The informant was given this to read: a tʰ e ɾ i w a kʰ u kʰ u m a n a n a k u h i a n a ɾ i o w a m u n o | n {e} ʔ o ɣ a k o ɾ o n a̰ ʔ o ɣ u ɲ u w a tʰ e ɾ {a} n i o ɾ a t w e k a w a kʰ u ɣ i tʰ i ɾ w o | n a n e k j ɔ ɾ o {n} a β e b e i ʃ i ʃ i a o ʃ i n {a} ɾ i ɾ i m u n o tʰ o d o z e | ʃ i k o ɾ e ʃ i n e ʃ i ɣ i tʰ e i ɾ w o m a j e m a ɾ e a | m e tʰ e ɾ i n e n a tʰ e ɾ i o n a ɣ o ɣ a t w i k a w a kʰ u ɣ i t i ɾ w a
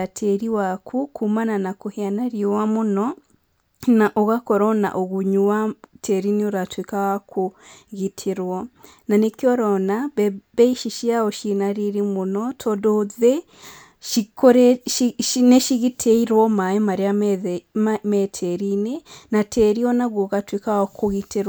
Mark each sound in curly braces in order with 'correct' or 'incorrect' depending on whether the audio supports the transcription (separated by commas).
incorrect, incorrect, correct, correct